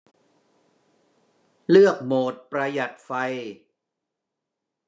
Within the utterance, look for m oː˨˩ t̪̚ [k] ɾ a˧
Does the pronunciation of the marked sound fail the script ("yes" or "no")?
yes